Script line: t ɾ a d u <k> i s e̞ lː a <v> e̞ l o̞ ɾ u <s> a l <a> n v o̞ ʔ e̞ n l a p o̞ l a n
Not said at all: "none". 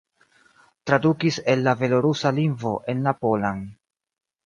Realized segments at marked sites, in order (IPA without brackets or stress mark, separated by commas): k, v, s, i